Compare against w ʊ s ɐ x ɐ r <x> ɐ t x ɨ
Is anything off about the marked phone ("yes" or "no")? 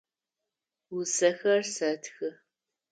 yes